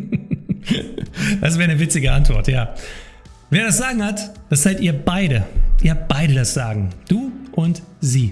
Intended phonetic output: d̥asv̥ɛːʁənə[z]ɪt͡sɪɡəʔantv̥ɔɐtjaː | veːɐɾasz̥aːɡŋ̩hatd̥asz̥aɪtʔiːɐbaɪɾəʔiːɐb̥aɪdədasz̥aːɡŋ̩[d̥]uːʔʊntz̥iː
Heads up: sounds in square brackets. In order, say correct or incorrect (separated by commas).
incorrect, correct